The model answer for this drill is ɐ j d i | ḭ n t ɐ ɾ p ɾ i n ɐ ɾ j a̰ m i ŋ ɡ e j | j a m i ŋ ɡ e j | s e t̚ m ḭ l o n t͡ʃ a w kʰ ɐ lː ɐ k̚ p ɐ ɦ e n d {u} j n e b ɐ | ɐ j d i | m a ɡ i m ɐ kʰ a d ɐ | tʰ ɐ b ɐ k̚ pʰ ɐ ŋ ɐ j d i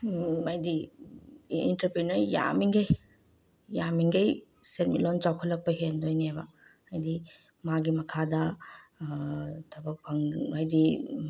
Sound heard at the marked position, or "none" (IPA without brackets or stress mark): o